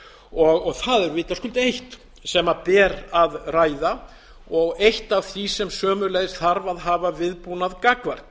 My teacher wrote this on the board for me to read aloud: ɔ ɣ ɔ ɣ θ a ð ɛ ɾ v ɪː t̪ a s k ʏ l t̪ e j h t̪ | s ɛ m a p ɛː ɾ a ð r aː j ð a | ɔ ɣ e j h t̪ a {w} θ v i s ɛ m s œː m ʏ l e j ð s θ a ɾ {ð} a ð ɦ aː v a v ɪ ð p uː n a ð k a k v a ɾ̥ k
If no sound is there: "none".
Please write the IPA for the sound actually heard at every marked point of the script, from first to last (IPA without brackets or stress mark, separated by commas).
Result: v, v